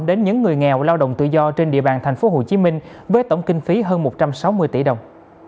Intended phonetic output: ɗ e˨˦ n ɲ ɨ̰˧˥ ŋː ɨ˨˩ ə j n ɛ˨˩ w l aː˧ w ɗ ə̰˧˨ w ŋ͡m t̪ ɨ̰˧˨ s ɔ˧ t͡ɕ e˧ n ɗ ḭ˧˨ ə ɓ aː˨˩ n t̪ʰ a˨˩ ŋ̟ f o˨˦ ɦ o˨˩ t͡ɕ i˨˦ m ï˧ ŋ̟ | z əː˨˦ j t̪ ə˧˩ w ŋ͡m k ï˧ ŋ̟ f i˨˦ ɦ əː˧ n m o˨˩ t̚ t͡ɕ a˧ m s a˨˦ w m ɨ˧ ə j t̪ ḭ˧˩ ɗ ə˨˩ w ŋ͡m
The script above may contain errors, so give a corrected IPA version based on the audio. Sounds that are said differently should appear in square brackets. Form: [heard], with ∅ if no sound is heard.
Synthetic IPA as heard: ɗ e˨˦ n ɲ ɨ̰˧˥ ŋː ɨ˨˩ ə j [ŋ] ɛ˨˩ w l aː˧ w ɗ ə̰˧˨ w ŋ͡m t̪ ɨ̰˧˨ [z] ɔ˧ t͡ɕ e˧ n ɗ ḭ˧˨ ə ɓ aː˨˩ n t̪ʰ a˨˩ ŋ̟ f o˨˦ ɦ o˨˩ t͡ɕ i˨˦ m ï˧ ŋ̟ | [v] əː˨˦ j t̪ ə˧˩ w ŋ͡m k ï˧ ŋ̟ f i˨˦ ɦ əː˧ n m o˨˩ t̚ t͡ɕ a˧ m s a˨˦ w m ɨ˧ ə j t̪ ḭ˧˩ ɗ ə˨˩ w ŋ͡m

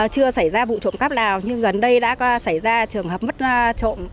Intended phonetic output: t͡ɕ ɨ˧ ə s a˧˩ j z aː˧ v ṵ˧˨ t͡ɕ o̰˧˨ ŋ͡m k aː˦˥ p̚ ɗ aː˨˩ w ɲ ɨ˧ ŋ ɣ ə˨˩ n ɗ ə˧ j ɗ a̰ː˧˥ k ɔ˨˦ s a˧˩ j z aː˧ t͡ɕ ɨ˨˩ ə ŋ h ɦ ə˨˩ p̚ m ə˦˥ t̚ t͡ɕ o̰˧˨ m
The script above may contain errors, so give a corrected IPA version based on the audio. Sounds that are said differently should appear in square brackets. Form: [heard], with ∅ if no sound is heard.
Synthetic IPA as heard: t͡ɕ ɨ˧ ə s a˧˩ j z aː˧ v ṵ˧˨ t͡ɕ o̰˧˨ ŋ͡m k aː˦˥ p̚ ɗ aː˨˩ w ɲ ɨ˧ ŋ ɣ ə˨˩ n ɗ ə˧ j ɗ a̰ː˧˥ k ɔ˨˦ s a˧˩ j z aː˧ t͡ɕ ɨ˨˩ ə ŋ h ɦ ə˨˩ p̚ m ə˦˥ t̚ t͡ɕ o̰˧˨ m

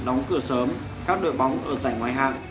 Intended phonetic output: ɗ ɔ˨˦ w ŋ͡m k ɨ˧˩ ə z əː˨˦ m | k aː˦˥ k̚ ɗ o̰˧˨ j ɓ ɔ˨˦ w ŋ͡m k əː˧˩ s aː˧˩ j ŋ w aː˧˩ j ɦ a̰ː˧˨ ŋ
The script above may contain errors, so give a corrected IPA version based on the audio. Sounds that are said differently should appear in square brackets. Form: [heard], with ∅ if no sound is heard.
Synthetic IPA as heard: ɗ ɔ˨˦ w ŋ͡m k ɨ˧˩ ə [s] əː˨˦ m | k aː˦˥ k̚ ɗ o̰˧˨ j ɓ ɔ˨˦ w ŋ͡m [ʔ] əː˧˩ [z] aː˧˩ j ŋ w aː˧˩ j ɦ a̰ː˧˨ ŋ

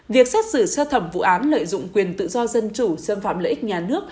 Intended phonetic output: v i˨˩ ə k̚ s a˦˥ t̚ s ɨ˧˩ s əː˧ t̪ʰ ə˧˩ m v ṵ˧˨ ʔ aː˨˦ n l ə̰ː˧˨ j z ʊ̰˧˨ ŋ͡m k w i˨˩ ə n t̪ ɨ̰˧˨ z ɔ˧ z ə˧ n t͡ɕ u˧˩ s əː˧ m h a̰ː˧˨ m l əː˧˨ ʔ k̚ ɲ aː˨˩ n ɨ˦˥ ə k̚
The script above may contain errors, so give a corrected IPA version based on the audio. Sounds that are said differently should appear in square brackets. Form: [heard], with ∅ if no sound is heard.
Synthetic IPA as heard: v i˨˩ ə k̚ s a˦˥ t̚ s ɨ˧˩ s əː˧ t̪ʰ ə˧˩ m v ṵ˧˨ ʔ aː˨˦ n l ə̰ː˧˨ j z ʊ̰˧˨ ŋ͡m k w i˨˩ ə n t̪ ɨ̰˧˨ z ɔ˧ z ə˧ n t͡ɕ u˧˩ s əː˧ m [f] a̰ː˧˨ m l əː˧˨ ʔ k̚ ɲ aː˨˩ n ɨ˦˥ ə k̚

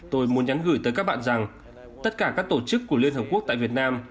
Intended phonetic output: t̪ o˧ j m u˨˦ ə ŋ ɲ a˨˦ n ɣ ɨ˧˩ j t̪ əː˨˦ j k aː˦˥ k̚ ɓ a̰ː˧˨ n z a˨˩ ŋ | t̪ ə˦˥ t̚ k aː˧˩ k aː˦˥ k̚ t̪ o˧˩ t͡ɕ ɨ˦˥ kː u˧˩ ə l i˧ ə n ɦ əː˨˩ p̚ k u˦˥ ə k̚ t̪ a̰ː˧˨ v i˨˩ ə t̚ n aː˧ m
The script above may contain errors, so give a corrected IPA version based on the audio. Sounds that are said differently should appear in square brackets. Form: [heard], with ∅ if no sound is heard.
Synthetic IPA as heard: t̪ o˧ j m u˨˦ ə [n] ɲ a˨˦ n ɣ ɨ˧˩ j t̪ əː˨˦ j k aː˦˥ k̚ ɓ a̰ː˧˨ n z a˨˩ ŋ | t̪ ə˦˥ t̚ k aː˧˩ k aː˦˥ k̚ t̪ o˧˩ t͡ɕ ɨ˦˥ kː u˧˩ ə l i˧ ə n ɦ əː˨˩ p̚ k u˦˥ ə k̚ t̪ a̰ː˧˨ v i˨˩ ə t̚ n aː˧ m

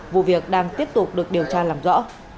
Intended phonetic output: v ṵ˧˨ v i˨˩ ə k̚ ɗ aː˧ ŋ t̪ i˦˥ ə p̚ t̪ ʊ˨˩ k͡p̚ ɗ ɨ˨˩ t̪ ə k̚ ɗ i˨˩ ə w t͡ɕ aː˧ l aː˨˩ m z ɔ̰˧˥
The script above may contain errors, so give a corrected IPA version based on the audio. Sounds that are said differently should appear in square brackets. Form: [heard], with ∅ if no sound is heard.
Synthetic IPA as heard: v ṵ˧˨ v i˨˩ ə k̚ ɗ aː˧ ŋ t̪ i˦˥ ə p̚ t̪ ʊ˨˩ k͡p̚ ɗ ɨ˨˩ [∅] ə k̚ ɗ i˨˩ ə w t͡ɕ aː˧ l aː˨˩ m z ɔ̰˧˥

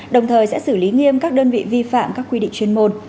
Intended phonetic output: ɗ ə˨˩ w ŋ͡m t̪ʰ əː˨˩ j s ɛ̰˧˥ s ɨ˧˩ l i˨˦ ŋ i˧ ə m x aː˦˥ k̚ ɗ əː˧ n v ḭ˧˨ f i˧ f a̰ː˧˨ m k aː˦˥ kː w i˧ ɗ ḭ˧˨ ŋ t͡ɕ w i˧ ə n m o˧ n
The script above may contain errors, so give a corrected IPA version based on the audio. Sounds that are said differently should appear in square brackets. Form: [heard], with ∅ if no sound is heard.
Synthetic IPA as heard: ɗ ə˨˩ w ŋ͡m t̪ʰ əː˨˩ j s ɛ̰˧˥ s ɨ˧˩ l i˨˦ ŋ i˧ ə m [k] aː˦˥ k̚ ɗ əː˧ n v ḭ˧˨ [v] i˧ f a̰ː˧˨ m k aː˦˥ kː w i˧ ɗ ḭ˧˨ ŋ t͡ɕ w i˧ ə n m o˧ n

